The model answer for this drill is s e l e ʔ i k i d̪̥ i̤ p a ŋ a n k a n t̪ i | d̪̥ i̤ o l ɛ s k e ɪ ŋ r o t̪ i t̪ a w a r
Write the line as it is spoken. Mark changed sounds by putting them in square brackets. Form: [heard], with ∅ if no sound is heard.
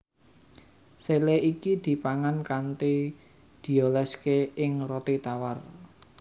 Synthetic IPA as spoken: s e l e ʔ i k i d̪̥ i̤ p a ŋ a n k a n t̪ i | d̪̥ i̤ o l ɛ s k e ɪ ŋ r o t̪ i t̪ a w a r

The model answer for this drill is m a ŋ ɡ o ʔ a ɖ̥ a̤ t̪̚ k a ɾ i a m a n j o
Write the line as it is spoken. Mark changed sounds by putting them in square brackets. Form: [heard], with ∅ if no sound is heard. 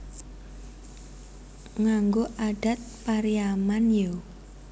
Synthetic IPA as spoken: [ŋ] a ŋ ɡ o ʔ a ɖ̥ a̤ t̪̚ [p] a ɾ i a m a n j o

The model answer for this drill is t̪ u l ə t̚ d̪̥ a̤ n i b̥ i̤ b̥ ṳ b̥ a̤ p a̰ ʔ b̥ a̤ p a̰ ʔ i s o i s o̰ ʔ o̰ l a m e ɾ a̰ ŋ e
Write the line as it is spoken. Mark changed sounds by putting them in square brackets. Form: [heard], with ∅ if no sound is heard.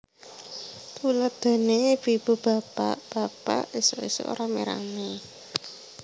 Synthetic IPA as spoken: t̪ u l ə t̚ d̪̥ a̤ n [e] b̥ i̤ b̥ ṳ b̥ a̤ p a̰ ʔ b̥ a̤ p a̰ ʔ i s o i s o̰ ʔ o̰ [ɾ] a m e ɾ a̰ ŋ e

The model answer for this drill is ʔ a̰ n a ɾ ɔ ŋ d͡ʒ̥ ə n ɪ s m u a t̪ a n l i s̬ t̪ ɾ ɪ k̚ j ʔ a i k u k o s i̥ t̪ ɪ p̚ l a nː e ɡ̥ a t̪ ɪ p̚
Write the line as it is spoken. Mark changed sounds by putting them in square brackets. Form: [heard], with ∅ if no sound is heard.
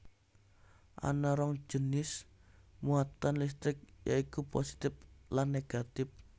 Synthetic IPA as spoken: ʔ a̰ n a ɾ ɔ ŋ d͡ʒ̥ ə n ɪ s m u a t̪ a n l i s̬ t̪ ɾ ɪ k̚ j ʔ a i k u [p] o s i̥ t̪ ɪ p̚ l a nː e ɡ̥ a t̪ ɪ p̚

